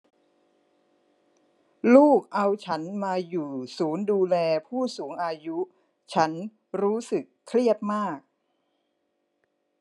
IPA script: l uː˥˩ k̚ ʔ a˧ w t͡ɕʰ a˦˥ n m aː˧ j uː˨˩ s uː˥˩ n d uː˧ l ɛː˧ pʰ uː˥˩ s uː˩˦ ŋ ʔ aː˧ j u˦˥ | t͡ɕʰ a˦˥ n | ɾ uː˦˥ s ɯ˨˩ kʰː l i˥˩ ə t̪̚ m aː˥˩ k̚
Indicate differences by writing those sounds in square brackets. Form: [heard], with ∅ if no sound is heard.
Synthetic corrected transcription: l uː˥˩ k̚ ʔ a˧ w t͡ɕʰ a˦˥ n m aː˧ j uː˨˩ s [uː˩˦] n d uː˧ l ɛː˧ pʰ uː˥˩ s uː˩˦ ŋ ʔ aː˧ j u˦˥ | t͡ɕʰ a˦˥ n | ɾ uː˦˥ s ɯ˨˩ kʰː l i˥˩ ə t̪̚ m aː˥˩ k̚